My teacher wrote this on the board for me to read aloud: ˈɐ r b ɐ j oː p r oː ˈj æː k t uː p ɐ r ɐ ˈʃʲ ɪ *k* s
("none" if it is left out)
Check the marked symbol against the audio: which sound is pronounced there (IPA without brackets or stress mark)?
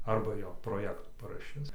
none